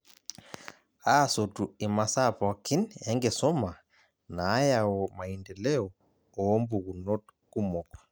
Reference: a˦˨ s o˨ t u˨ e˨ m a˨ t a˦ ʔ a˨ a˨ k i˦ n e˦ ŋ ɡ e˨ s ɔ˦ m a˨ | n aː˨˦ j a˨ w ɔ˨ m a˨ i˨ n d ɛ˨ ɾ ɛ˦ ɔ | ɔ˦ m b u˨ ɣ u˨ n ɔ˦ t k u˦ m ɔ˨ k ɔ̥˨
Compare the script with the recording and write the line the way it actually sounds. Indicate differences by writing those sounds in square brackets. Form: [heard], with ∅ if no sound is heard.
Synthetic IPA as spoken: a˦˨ s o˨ t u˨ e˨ m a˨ [s] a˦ [p] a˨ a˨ k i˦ n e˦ ŋ ɡ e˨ s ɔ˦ m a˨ | n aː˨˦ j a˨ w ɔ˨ m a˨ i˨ n d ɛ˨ [l] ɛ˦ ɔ | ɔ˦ m b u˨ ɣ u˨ n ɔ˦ t k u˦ m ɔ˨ k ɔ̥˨